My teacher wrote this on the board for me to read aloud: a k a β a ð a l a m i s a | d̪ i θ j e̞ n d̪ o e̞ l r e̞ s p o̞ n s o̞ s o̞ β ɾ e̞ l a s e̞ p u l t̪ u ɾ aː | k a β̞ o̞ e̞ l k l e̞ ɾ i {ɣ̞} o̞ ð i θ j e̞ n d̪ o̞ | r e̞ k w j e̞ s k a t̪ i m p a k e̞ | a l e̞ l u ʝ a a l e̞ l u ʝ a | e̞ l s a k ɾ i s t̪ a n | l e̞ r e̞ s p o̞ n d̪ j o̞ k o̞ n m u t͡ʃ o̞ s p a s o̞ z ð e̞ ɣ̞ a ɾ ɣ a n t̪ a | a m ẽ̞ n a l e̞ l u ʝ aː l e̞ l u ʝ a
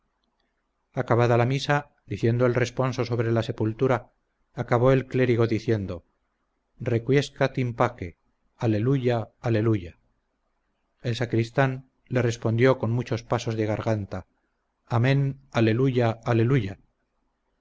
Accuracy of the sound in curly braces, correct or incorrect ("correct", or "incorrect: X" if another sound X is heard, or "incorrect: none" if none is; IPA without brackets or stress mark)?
correct